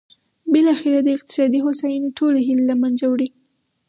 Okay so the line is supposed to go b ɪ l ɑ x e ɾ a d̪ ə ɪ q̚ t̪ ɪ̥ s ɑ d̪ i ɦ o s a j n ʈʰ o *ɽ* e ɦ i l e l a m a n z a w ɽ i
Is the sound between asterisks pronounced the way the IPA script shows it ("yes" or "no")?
no